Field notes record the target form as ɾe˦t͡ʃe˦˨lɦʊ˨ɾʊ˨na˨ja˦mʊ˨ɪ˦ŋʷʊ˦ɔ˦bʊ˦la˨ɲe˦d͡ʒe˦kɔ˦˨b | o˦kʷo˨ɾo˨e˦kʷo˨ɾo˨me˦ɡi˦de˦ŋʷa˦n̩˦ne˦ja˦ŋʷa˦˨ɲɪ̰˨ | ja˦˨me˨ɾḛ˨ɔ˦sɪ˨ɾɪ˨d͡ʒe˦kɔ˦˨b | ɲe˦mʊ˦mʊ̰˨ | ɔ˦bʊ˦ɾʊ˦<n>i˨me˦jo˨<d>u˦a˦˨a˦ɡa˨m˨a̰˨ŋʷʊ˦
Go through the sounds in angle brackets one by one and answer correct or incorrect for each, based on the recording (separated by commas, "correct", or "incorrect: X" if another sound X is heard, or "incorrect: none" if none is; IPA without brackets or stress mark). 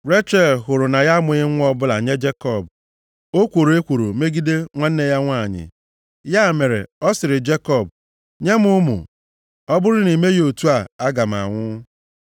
correct, incorrect: t